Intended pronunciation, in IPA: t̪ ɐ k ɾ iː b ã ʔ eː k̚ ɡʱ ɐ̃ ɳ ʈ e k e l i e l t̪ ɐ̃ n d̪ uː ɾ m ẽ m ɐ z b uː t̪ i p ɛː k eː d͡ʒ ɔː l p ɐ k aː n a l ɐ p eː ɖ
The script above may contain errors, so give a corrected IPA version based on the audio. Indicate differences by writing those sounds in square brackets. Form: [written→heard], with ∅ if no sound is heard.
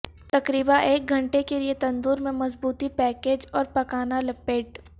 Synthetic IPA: t̪ ɐ k ɾ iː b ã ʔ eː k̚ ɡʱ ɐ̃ ɳ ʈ e k e l i e [l→∅] t̪ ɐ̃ n d̪ uː ɾ m ẽ m ɐ z b uː t̪ i p ɛː k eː d͡ʒ ɔː [l→ɾ] p ɐ k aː n a l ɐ p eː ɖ